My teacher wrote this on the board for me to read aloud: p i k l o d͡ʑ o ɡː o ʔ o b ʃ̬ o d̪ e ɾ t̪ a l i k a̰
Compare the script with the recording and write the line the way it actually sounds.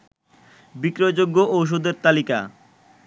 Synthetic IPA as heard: b i k ɾ o d͡ʑ o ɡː o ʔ o w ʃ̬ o d̪ e ɾ t̪ a l i k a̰